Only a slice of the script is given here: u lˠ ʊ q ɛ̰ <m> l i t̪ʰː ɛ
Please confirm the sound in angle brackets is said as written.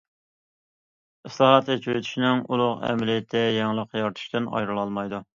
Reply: yes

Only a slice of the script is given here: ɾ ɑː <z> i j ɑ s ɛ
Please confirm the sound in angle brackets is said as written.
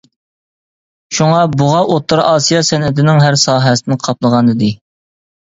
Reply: no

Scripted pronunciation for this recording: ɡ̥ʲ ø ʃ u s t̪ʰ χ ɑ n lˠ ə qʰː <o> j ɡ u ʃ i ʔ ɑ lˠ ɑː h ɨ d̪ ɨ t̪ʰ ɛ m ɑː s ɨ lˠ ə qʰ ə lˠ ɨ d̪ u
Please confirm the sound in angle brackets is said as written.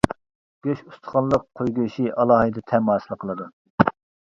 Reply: yes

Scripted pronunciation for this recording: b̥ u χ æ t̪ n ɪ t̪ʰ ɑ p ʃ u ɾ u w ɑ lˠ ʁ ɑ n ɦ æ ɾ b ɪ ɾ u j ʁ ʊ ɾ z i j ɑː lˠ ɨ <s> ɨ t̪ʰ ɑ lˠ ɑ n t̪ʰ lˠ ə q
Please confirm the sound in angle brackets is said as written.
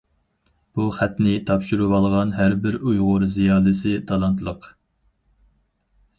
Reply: yes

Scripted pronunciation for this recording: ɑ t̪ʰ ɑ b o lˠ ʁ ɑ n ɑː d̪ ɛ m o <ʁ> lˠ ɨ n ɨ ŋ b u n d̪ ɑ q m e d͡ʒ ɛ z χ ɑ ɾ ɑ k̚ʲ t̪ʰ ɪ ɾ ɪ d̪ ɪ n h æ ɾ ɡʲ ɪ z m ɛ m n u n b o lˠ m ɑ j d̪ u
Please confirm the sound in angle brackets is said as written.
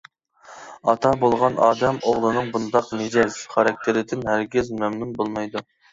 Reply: yes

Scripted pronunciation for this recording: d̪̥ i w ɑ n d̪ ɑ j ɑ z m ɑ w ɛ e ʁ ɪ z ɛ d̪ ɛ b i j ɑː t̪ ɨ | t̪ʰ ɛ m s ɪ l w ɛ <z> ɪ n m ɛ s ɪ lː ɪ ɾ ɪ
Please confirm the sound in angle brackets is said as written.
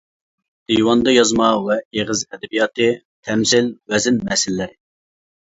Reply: yes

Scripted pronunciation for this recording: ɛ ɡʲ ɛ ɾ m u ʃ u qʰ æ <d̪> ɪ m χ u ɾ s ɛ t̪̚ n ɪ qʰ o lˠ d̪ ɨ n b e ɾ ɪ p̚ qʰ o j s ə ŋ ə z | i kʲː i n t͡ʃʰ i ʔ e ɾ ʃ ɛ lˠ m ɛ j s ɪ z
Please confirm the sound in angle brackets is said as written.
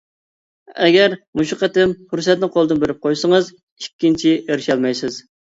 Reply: no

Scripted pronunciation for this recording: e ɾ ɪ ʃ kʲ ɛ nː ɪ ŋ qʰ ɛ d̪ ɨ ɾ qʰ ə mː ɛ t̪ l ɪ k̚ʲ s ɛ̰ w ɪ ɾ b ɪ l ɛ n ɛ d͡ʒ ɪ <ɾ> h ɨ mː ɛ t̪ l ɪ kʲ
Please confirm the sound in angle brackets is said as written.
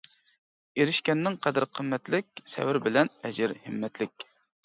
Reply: yes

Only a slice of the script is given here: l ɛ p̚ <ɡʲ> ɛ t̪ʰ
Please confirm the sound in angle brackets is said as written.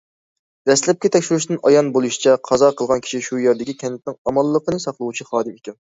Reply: no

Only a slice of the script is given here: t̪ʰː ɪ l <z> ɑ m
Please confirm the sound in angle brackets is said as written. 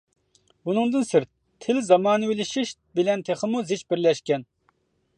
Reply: yes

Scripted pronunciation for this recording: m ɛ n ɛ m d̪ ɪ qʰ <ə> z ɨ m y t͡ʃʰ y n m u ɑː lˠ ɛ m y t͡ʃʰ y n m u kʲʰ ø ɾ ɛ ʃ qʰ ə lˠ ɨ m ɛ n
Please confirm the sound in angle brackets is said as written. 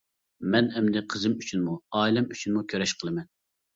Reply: yes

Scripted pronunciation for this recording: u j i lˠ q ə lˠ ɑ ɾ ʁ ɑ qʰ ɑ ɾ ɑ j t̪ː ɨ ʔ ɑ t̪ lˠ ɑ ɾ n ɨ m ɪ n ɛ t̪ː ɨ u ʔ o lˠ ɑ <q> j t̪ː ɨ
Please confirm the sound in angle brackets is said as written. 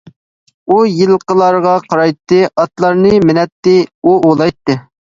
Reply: no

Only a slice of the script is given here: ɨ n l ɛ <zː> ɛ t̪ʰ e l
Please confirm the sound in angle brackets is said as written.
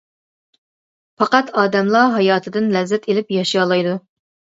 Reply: yes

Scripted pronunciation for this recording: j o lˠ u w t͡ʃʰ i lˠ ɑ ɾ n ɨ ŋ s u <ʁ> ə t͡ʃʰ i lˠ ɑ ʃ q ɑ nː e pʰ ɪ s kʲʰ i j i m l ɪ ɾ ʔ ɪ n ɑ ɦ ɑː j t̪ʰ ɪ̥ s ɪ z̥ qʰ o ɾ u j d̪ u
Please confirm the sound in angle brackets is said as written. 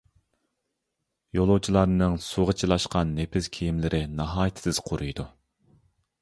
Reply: yes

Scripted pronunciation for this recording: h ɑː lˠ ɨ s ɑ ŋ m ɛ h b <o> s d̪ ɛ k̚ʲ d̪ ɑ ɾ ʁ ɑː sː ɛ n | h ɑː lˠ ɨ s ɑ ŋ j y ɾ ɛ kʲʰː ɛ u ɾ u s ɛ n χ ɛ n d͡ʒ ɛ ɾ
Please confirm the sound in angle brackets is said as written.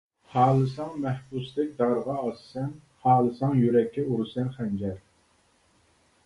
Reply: no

